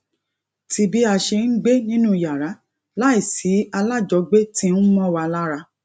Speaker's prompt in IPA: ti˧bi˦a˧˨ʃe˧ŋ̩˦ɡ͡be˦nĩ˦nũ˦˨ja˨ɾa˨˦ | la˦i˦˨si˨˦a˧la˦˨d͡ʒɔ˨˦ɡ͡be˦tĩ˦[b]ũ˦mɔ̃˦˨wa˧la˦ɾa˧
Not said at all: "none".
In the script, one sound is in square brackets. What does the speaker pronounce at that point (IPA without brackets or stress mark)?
none